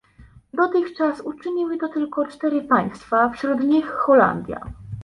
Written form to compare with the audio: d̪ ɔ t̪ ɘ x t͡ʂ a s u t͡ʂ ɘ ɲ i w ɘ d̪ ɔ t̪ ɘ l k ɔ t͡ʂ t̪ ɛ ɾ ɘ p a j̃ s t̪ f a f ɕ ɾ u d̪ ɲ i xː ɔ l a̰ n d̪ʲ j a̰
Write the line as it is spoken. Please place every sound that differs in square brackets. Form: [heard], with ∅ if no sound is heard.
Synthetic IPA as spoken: d̪ ɔ t̪ ɘ x t͡ʂ a s u t͡ʂ ɘ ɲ i w ɘ [t̪] ɔ t̪ ɘ l k ɔ t͡ʂ t̪ ɛ ɾ ɘ p a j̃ s t̪ f a f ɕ ɾ u d̪ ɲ i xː ɔ l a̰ n d̪ʲ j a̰